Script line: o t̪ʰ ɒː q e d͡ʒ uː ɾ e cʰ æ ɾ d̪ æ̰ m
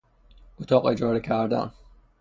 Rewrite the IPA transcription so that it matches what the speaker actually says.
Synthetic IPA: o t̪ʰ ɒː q e d͡ʒ ɒː ɾ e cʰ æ ɾ d̪ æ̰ n